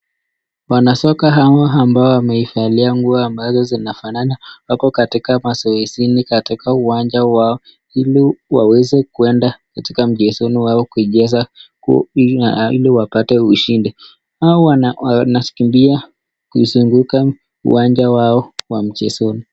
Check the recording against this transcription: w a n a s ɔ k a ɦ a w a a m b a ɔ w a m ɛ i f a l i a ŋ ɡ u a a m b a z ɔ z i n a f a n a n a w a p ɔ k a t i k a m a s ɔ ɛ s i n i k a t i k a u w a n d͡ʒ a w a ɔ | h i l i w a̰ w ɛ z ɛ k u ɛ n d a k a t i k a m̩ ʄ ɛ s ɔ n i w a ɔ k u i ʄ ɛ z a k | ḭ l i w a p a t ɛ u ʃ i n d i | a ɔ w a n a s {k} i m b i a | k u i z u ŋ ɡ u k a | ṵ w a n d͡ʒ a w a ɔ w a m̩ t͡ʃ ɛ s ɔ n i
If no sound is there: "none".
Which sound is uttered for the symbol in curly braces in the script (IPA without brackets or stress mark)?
k